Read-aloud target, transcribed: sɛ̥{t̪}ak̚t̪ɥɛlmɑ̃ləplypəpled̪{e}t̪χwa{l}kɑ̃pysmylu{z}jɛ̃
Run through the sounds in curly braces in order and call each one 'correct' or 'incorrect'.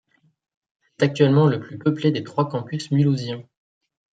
correct, correct, incorrect: none, correct

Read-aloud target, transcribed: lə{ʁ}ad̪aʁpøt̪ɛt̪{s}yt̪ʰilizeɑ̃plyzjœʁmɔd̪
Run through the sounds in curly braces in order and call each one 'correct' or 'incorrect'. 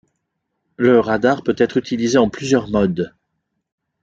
correct, incorrect: χ

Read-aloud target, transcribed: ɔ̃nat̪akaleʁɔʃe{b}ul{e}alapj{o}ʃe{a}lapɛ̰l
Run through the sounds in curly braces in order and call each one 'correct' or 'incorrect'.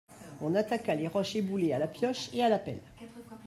correct, correct, incorrect: ɔ, correct

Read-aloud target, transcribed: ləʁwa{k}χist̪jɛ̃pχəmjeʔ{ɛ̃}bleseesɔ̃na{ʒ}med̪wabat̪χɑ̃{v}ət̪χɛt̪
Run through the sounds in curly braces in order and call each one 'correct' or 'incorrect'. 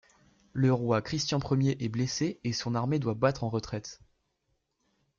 correct, incorrect: ɛ, incorrect: ʁ, incorrect: ʁ

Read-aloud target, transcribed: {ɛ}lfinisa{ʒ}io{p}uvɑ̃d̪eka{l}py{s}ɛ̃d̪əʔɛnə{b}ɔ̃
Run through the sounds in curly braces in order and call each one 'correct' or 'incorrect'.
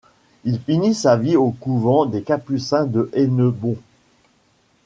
incorrect: i, incorrect: v, incorrect: k, incorrect: none, correct, correct

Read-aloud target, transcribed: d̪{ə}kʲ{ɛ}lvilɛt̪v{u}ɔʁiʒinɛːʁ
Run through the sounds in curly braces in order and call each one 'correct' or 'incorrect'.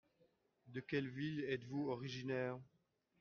correct, correct, correct

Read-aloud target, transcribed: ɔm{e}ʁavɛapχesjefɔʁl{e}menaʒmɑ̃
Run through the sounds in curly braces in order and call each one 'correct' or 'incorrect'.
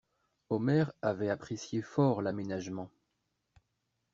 incorrect: ɛ, incorrect: a

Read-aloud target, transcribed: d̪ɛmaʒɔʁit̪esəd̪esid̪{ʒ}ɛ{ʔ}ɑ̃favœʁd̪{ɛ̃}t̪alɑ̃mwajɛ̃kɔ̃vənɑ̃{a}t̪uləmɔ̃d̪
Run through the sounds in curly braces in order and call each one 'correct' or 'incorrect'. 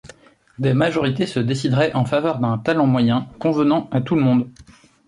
incorrect: ʁ, correct, correct, correct

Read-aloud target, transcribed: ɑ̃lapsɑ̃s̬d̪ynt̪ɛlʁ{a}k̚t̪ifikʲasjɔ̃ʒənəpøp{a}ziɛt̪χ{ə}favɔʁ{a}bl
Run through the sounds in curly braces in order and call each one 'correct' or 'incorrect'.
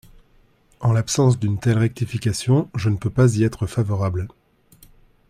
incorrect: ɛ, correct, correct, correct

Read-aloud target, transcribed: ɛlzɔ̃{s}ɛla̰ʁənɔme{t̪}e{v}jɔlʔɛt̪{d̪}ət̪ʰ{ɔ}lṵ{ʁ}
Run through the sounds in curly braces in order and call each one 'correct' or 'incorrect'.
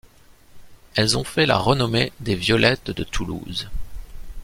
incorrect: f, incorrect: d̪, correct, correct, incorrect: u, incorrect: z

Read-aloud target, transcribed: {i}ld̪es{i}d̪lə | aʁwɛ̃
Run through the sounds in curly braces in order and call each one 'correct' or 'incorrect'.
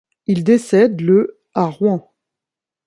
correct, incorrect: ɛ

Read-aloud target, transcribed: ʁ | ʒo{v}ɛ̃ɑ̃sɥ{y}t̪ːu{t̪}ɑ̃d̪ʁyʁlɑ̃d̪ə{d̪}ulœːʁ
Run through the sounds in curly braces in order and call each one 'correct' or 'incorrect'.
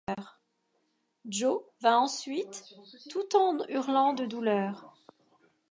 correct, incorrect: i, correct, correct

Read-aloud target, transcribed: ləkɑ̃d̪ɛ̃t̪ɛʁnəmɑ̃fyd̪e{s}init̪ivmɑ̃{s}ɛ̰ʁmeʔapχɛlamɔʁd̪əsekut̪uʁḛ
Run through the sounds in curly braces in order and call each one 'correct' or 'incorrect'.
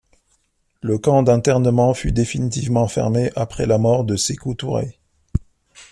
incorrect: f, incorrect: f

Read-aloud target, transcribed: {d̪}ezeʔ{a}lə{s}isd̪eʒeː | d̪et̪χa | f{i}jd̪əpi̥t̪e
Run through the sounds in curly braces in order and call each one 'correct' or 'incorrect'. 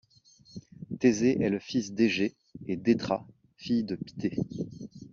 incorrect: t̪, incorrect: ɛ, incorrect: f, correct

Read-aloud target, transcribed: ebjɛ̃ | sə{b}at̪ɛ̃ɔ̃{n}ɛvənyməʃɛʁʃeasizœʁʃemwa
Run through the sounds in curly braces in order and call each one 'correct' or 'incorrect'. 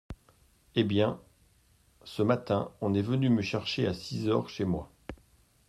incorrect: m, correct

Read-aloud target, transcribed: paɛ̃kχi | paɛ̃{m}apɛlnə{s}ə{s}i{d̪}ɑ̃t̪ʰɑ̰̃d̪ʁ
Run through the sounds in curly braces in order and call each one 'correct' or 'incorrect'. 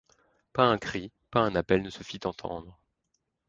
incorrect: n, correct, incorrect: f, incorrect: t̪

